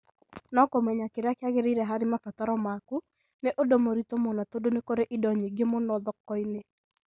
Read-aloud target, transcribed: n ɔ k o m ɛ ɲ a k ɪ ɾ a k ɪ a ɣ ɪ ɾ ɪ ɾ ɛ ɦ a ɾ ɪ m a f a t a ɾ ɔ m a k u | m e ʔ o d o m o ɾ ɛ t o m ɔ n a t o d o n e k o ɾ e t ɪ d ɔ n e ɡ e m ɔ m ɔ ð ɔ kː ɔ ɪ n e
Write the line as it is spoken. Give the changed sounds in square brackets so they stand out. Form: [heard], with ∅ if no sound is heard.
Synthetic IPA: n ɔ k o m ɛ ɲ a k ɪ ɾ a k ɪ a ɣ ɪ ɾ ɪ ɾ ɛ ɦ a ɾ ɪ m a f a t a ɾ ɔ m a k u | [n] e ʔ o d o m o ɾ [i] t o m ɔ n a t o d o n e k o ɾ e [ʔ] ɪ d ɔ [ɲ] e ɡ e m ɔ [n] ɔ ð ɔ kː ɔ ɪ n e